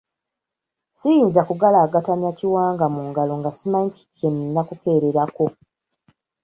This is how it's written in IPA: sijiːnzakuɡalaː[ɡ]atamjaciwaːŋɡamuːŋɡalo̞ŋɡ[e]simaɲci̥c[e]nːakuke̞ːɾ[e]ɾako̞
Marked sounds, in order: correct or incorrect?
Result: correct, incorrect: a, correct, correct

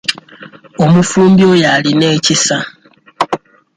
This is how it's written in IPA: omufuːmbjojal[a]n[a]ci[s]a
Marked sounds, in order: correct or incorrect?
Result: incorrect: i, incorrect: e, correct

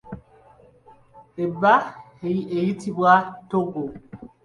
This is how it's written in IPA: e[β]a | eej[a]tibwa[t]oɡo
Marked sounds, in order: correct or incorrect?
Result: incorrect: b, incorrect: i, correct

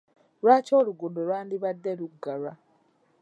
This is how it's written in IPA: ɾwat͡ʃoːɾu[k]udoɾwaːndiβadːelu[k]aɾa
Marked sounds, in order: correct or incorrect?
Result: incorrect: ɡ, incorrect: ɡ

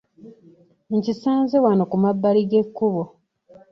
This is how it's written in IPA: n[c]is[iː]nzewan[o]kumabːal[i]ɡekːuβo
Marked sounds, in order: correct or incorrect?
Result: correct, incorrect: aː, correct, correct

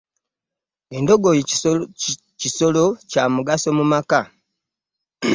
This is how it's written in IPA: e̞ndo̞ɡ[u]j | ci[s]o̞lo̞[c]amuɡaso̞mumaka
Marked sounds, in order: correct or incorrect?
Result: incorrect: o, correct, correct

